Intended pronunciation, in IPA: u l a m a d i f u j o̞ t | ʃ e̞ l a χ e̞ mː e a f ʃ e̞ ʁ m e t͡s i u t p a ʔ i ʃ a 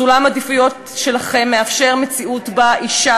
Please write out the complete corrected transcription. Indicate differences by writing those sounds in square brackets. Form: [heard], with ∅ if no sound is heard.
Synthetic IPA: u l a m a d i f u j o̞ t | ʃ e̞ l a χ e̞ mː e a f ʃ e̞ ʁ m e t͡s i u t [b] a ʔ i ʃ a